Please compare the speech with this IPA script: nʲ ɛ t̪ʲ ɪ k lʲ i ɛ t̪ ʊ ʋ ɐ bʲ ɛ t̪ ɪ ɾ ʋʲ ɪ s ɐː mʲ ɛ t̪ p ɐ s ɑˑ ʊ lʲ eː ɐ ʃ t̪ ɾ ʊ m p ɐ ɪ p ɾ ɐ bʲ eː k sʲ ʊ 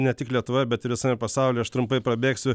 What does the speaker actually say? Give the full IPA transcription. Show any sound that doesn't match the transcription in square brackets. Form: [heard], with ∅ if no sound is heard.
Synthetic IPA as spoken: nʲ ɛ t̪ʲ ɪ k lʲ i ɛ t̪ ʊ ʋ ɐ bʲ ɛ t̪ ɪ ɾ ʋʲ ɪ s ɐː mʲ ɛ [∅] p ɐ s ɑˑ ʊ lʲ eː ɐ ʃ t̪ ɾ ʊ m p ɐ ɪ p ɾ ɐ bʲ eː k sʲ ʊ